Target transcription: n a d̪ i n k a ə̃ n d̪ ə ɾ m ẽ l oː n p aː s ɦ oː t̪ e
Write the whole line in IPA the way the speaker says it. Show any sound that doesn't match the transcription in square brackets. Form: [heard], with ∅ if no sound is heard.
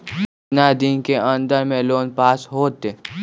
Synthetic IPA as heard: n a d̪ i n k [e] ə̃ n d̪ ə ɾ m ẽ l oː n p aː s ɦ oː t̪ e